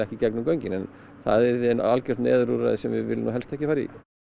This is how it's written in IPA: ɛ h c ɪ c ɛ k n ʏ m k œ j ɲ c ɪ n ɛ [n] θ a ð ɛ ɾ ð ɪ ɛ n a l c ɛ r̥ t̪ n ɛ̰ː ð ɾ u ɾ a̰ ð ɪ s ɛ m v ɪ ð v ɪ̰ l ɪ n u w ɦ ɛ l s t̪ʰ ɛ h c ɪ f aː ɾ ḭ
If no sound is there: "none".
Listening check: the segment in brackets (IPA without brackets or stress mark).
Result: n